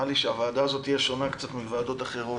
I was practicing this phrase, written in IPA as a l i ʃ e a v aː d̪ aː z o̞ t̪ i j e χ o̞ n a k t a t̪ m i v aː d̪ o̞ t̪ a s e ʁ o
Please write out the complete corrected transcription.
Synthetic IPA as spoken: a l i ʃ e a v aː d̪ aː z o̞ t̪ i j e ʃ o̞ n a k t͡s a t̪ m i v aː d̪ o̞ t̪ a χ e ʁ o